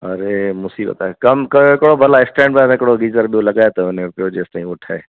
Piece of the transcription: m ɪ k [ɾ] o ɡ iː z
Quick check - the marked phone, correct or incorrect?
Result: incorrect